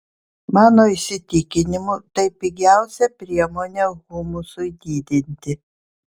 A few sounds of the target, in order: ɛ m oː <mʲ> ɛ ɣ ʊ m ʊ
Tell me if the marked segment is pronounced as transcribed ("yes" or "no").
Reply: no